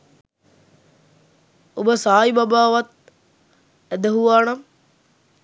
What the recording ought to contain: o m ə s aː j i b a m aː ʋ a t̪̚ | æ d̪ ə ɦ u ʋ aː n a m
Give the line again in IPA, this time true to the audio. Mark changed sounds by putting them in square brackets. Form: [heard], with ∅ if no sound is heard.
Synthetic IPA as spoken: o [b] ə s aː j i b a [b] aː ʋ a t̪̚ | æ d̪ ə ɦ u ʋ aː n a m